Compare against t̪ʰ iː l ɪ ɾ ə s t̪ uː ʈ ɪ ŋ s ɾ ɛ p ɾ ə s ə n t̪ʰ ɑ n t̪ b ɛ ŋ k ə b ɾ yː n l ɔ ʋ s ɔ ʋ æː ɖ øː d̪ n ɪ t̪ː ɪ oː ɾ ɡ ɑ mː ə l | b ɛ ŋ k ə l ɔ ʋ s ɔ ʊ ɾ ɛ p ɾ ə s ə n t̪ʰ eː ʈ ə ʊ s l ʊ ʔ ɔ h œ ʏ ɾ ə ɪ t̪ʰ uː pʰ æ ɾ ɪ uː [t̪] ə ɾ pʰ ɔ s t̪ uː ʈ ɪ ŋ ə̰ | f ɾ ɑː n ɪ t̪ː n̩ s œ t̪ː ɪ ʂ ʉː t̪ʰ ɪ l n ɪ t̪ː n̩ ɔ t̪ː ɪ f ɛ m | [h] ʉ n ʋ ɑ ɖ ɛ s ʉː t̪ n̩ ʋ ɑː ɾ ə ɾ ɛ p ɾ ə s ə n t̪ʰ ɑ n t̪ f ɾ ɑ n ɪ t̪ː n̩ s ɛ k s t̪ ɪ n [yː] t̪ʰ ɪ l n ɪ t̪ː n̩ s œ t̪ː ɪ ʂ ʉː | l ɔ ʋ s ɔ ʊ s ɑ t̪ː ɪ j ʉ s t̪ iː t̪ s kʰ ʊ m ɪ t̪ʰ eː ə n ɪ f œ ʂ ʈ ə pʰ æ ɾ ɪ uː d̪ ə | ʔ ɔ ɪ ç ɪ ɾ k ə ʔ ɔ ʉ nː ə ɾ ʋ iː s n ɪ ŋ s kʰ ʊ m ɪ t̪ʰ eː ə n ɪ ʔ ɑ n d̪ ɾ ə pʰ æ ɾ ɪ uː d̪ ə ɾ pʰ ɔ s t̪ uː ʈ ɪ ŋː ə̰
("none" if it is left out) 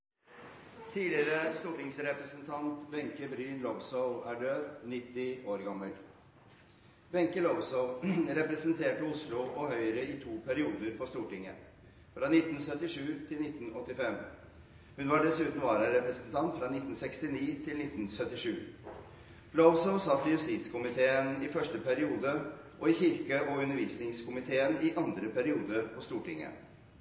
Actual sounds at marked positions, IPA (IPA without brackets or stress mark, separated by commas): d̪, h, iː